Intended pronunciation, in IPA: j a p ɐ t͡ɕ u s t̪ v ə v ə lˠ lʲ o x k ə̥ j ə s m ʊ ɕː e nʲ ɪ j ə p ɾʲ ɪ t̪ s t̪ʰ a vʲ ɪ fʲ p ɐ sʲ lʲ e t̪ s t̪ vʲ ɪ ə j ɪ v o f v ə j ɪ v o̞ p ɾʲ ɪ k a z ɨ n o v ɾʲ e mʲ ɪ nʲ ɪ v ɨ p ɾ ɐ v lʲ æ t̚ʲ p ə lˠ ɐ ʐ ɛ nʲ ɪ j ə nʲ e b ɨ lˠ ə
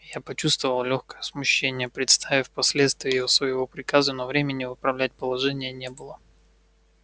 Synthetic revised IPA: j a p ɐ t͡ɕ u s t̪ v ə v ə lˠ lʲ o x k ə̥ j ə s m ʊ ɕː e nʲ ɪ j ə p ɾʲ ɪ t̪ s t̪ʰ a vʲ ɪ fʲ p ɐ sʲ lʲ e t̪ s t̪ vʲ ɪ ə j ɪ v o s v ə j ɪ v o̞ p ɾʲ ɪ k a z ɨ n o v ɾʲ e mʲ ɪ nʲ ɪ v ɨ p ɾ ɐ v lʲ æ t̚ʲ p ə lˠ ɐ ʐ ɛ nʲ ɪ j ə nʲ e b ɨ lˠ ə

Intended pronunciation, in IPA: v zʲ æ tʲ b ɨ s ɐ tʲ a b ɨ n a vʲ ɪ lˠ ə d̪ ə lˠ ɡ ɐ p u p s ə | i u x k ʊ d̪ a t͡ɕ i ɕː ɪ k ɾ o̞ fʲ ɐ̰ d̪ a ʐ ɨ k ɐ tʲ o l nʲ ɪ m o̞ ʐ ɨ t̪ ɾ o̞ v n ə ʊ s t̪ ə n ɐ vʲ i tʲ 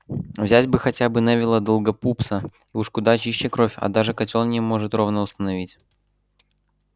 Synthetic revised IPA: v zʲ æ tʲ b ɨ x ɐ tʲ a b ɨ n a vʲ ɪ lˠ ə d̪ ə lˠ ɡ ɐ p u p s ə | i u ʂ k ʊ d̪ a t͡ɕ i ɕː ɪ k ɾ o̞ fʲ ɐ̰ d̪ a ʐ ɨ k ɐ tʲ o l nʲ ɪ m o̞ ʐ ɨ t̪ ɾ o̞ v n ə ʊ s t̪ ə n ɐ vʲ i tʲ

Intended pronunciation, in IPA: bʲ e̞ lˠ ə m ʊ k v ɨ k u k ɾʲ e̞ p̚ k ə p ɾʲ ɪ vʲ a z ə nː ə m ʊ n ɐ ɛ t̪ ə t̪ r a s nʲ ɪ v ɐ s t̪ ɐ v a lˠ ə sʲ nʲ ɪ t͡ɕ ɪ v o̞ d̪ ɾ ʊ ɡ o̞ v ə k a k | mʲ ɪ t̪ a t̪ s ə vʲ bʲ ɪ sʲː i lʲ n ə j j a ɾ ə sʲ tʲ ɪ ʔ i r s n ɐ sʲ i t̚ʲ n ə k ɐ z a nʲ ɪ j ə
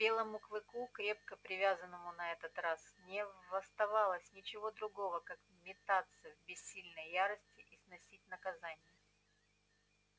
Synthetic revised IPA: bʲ e̞ lˠ ə m ʊ k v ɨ k u k ɾʲ e̞ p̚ k ə p ɾʲ ɪ vʲ a z ə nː ə m ʊ n ɐ ɛ t̪ ə t̪ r a s nʲ ɪ v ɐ s t̪ ɐ v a lˠ ə sʲ nʲ ɪ t͡ɕ ɪ v o̞ d̪ ɾ ʊ ɡ o̞ v ə k a k | mʲ ɪ t̪ a t̪ s ə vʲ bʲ ɪ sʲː i lʲ n ə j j a ɾ ə sʲ tʲ ɪ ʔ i s n ɐ sʲ i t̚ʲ n ə k ɐ z a nʲ ɪ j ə

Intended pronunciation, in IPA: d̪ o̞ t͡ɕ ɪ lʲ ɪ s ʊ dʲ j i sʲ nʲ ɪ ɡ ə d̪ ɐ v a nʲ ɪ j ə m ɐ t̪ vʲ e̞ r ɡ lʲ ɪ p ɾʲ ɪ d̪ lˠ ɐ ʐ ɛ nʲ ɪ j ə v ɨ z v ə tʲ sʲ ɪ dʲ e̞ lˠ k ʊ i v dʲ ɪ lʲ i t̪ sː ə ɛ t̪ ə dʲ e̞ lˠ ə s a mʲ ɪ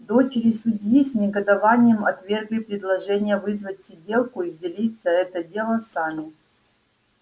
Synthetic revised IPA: d̪ o̞ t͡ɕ ɪ ɾʲ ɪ s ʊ dʲ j i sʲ nʲ ɪ ɡ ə d̪ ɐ v a nʲ ɪ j ə m ɐ t̪ vʲ e̞ r ɡ lʲ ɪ p ɾʲ ɪ d̪ lˠ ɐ ʐ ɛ nʲ ɪ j ə v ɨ z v ə tʲ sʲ ɪ dʲ e̞ lˠ k ʊ i v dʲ ɪ lʲ i t̪ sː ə ɛ t̪ ə dʲ e̞ lˠ ə s a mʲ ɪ

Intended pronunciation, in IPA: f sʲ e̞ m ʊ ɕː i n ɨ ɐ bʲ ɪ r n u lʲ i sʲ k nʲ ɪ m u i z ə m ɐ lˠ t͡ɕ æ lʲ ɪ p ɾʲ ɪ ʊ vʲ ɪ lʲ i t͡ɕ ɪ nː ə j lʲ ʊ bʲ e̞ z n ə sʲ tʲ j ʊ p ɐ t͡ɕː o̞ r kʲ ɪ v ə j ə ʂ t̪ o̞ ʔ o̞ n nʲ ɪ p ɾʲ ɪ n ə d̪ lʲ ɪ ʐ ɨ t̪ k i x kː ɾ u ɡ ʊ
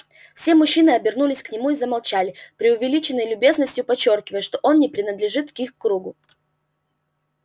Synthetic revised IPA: f sʲ e̞ m ʊ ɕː i n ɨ ɐ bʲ ɪ r n u lʲ ɪ sʲ k nʲ ɪ m u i z ə m ɐ lˠ t͡ɕ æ lʲ ɪ p ɾʲ ɪ ʊ vʲ ɪ lʲ i t͡ɕ ɪ nː ə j lʲ ʊ bʲ e̞ z n ə sʲ tʲ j ʊ p ɐ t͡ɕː o̞ r kʲ ɪ v ə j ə ʂ t̪ o̞ ʔ o̞ n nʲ ɪ p ɾʲ ɪ n ə d̪ lʲ ɪ ʐ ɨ t̪ k i x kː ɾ u ɡ ʊ

